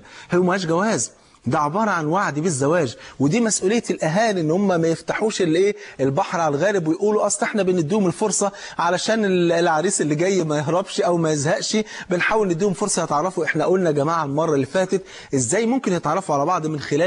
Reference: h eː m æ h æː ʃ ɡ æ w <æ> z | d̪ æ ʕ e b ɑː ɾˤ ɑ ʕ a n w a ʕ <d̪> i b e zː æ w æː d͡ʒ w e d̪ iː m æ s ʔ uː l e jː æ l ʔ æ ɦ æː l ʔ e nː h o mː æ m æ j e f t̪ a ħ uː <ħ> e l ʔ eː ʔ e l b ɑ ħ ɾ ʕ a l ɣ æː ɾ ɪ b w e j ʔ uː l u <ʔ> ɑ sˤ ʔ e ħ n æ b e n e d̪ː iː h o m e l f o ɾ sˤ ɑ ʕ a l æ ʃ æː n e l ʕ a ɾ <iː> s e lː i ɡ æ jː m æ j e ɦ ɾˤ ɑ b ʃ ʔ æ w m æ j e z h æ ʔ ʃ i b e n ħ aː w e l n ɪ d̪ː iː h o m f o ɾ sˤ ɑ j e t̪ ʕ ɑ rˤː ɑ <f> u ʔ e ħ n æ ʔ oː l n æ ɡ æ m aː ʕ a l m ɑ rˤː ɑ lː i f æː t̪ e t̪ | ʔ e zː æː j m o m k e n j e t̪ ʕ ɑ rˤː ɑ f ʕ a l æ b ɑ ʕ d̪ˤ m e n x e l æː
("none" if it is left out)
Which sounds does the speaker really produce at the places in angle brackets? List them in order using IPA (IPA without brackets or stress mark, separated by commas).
æː, d̪, ʃ, ʔ, iː, f